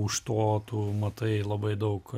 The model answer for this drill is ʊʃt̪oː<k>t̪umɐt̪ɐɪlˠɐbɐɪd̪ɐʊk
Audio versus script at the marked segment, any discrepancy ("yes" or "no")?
yes